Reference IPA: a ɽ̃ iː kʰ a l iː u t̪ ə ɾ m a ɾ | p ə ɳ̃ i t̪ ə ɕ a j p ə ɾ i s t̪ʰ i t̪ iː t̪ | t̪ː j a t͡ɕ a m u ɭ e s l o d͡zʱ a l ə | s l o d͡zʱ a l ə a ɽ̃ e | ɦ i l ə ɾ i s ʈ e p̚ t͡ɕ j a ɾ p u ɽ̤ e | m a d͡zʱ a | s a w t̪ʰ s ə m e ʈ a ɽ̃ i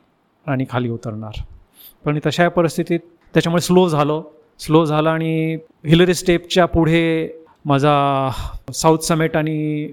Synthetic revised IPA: a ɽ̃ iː kʰ a l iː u t̪ ə ɾ ɳ a ɾ | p ə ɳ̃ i t̪ ə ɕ a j p ə ɾ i s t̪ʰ i t̪ iː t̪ | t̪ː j a t͡ɕ a m u ɭ e s l o d͡zʱ a l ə | s l o d͡zʱ a l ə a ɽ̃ i | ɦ i l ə ɾ i s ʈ e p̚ t͡ɕ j a p u ɽ̤ e | m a d͡zʱ a | s a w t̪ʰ s ə m e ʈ a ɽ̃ i